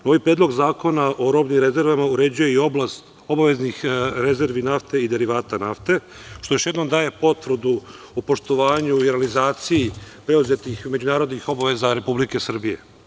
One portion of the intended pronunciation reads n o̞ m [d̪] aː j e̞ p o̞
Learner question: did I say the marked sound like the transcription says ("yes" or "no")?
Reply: yes